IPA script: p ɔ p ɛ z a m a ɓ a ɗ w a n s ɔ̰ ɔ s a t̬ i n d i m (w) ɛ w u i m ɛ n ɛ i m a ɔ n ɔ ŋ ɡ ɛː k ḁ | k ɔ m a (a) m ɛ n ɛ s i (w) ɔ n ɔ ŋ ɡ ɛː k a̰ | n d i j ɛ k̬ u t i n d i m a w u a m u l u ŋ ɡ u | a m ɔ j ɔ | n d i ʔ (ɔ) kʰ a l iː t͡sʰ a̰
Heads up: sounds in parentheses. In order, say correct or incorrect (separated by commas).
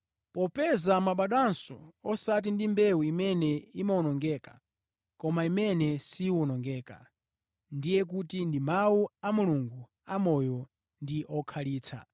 incorrect, incorrect, correct, correct